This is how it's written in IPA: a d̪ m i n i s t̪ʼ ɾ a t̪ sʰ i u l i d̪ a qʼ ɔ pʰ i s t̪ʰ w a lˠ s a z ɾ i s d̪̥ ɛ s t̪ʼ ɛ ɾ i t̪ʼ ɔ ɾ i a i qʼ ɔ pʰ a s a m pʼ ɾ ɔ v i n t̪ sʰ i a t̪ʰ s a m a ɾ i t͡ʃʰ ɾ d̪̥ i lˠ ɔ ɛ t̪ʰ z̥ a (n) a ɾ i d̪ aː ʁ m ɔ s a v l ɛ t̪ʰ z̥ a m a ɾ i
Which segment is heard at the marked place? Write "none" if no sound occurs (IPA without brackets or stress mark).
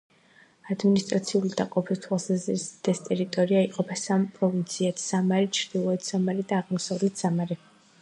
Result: m